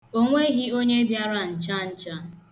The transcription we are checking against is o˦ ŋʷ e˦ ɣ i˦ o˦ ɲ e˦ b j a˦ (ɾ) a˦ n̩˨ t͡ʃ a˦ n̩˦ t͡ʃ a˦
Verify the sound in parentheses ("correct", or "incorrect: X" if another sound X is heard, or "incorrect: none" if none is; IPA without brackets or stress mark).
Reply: correct